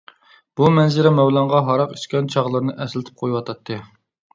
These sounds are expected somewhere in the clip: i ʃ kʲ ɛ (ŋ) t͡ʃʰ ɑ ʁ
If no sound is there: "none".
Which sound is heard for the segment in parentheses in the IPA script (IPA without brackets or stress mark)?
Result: n